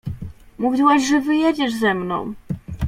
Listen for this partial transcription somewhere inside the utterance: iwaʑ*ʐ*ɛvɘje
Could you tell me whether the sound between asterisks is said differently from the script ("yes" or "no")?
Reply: no